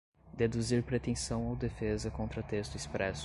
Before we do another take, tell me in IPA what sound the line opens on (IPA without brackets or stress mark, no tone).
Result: d̪